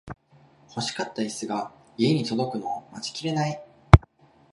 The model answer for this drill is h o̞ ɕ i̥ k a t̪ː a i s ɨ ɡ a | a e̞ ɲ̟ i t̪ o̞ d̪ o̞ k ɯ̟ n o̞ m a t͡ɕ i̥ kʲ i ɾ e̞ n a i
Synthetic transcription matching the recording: h o̞ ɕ i̥ k a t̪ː a i s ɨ ɡ a | i e̞ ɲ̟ i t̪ o̞ d̪ o̞ k ɯ̟ n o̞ m a t͡ɕ i̥ kʲ i ɾ e̞ n a i